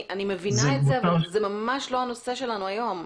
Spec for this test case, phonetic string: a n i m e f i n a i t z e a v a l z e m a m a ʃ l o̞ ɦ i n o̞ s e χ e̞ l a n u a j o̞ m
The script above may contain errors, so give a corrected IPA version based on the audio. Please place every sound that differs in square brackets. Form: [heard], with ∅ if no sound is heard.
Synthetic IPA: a n i m e [v] i n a [e] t z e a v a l z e m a m a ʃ l o̞ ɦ [a] n o̞ s e [ʃ] e̞ l a n u a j o̞ m